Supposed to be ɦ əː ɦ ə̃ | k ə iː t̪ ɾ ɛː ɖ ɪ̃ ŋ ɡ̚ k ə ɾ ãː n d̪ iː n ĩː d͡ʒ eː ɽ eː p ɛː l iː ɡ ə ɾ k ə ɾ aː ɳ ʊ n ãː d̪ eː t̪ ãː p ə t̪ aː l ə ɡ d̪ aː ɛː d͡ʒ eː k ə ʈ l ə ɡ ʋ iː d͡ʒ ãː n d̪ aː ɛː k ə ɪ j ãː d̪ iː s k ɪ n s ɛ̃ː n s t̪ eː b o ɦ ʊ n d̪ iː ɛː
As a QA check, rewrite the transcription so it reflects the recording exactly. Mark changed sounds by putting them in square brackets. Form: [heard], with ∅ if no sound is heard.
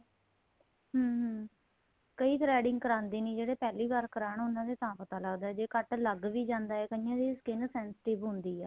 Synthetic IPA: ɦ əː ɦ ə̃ | k ə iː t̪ ɾ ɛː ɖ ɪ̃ ŋ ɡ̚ k ə ɾ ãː n d̪ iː n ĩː d͡ʒ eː ɽ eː p ɛː l iː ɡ ə ɾ k ə ɾ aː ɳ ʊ n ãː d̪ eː t̪ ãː p ə t̪ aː l ə ɡ d̪ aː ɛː d͡ʒ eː k ə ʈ l ə ɡ ʋ iː d͡ʒ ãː n d̪ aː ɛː k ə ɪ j ãː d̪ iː s k ɪ n s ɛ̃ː n s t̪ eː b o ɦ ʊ n d̪ iː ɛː

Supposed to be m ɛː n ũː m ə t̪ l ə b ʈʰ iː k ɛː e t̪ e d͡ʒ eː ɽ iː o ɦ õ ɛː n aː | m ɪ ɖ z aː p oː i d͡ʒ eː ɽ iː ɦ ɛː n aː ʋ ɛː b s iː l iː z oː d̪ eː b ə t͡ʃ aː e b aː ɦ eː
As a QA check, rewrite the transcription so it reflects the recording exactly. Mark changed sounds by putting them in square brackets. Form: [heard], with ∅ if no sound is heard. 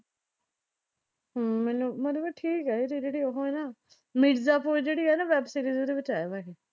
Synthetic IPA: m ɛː n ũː m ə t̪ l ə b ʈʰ iː k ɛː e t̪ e d͡ʒ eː ɽ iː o ɦ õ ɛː n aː | m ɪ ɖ z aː p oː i d͡ʒ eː ɽ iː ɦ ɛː n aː ʋ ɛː b s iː [ɾ] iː z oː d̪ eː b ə t͡ʃ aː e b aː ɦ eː

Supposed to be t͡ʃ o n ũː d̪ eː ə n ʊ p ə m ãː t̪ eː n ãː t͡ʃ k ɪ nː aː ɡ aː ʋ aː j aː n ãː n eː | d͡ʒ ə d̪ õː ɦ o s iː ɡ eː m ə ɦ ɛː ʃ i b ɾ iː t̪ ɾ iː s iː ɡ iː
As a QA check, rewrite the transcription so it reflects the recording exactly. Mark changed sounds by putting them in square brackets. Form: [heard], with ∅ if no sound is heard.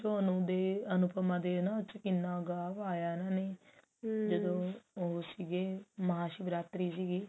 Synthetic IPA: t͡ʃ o n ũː d̪ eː ə n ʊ p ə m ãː [d̪] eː n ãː t͡ʃ k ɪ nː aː ɡ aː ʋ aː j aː n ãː n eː | d͡ʒ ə d̪ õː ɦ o s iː ɡ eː m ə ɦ [aː] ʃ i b ɾ [aː] t̪ ɾ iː s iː ɡ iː

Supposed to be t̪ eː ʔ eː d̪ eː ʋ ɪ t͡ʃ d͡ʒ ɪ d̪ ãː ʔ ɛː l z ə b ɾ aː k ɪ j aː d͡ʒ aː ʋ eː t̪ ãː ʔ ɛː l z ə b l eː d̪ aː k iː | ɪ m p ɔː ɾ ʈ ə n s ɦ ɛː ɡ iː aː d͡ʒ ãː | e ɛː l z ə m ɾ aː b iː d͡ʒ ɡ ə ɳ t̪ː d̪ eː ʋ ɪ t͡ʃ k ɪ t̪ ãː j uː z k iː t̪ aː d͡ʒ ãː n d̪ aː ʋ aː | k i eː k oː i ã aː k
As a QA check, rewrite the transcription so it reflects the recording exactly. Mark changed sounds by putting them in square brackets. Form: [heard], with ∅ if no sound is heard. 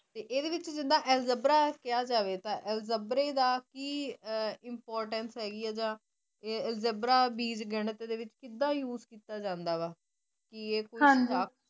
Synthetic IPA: t̪ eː ʔ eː d̪ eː ʋ ɪ t͡ʃ d͡ʒ ɪ d̪ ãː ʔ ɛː l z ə b ɾ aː k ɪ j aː d͡ʒ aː ʋ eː t̪ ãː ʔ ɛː l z ə b [ɾ] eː d̪ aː k iː | ɪ m p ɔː ɾ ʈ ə n s ɦ ɛː ɡ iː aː d͡ʒ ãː | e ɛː l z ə [b] ɾ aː b iː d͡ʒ ɡ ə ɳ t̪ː d̪ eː ʋ ɪ t͡ʃ k ɪ [d̪] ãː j uː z k iː t̪ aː d͡ʒ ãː n d̪ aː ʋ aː | k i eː k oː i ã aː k

